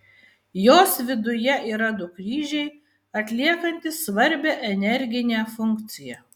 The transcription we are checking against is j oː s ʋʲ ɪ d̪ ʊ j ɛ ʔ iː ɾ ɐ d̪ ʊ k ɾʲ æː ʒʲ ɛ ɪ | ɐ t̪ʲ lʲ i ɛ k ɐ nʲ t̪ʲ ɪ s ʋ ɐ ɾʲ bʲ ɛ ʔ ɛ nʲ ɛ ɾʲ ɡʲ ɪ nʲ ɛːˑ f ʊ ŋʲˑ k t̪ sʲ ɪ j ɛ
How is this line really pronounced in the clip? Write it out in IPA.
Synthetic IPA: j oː s ʋʲ ɪ d̪ ʊ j ɛ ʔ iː ɾ ɐ d̪ ʊ k ɾʲ iː ʒʲ ɛ ɪ | ɐ t̪ʲ lʲ i ɛ k ɐ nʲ t̪ʲ ɪ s ʋ ɐ ɾʲ bʲ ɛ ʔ ɛ nʲ ɛ ɾʲ ɡʲ ɪ nʲ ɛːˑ f ʊ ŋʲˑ k t̪ sʲ ɪ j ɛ